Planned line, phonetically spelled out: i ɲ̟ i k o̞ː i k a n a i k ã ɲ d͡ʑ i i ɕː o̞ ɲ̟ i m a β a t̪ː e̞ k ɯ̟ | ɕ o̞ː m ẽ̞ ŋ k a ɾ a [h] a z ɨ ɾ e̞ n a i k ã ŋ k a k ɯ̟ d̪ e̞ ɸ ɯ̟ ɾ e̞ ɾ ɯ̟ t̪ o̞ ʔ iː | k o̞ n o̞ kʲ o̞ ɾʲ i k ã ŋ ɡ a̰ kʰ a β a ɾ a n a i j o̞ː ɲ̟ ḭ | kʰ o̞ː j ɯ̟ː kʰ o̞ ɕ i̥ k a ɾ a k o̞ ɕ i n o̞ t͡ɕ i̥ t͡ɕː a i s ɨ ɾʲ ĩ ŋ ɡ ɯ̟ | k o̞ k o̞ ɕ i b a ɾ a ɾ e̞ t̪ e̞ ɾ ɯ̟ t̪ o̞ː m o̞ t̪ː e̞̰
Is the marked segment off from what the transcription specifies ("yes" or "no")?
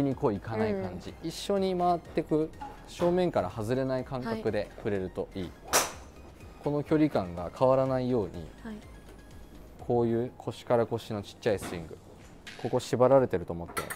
no